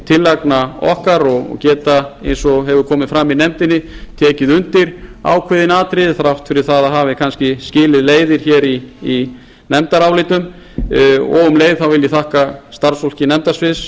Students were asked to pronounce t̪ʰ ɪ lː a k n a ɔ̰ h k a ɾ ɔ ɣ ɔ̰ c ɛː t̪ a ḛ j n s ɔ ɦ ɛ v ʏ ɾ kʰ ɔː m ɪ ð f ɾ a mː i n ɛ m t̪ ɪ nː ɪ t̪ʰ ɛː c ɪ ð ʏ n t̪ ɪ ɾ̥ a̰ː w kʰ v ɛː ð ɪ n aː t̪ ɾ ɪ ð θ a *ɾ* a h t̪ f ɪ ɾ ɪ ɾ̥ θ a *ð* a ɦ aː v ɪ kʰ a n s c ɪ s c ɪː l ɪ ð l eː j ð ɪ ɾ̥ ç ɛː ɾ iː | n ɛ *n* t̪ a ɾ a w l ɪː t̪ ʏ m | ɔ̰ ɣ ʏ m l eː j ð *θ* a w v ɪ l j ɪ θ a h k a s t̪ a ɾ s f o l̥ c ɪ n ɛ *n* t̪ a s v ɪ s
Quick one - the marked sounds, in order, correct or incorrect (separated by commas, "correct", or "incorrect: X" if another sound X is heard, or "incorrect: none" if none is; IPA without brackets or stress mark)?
correct, correct, incorrect: m, correct, incorrect: m